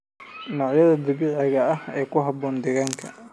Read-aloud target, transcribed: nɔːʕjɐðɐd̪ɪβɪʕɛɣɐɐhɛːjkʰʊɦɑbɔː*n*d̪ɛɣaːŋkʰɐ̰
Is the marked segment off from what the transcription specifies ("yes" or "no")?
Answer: no